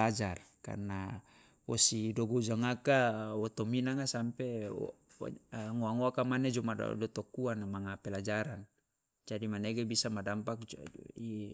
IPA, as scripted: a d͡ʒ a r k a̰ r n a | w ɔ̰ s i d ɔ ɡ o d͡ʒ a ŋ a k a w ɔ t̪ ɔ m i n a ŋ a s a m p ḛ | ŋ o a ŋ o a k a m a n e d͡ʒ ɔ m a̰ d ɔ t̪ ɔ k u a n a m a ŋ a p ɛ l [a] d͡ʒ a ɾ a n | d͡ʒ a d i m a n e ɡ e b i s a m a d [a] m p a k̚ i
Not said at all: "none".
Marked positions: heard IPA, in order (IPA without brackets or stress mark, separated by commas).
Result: a, a